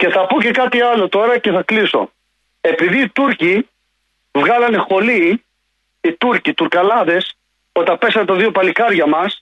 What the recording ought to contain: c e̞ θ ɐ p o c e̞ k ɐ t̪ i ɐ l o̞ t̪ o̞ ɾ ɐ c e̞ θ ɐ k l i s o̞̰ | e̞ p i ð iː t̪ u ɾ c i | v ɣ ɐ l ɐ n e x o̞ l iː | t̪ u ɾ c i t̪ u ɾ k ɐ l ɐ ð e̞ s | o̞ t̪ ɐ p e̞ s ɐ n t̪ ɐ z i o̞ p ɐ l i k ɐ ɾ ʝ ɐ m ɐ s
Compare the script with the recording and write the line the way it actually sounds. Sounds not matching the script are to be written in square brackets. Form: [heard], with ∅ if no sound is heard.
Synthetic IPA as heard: c e̞ θ ɐ p o c e̞ k ɐ t̪ i ɐ l o̞ t̪ o̞ ɾ ɐ c e̞ θ ɐ k l i s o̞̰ | e̞ p i ð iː t̪ u ɾ c i | v ɣ ɐ l ɐ n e x o̞ l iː | t̪ u ɾ c i t̪ u ɾ k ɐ l ɐ ð e̞ s | o̞ t̪ ɐ p e̞ s ɐ n t̪ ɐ [ð] i o̞ p ɐ l i k ɐ ɾ ʝ ɐ m ɐ s